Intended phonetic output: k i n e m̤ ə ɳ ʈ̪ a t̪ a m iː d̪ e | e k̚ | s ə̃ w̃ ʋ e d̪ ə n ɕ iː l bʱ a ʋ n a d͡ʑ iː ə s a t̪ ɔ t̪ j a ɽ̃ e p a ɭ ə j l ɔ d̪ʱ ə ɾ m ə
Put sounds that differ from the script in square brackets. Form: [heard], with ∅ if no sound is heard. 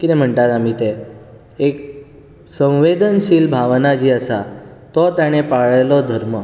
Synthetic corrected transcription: k i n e m̤ ə ɳ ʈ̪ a t̪ a m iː [t̪] e | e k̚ | s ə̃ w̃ ʋ e d̪ ə n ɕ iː l bʱ a ʋ n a d͡ʑ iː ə s a t̪ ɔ t̪ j a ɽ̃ e p a ɭ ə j l ɔ d̪ʱ ə ɾ m ə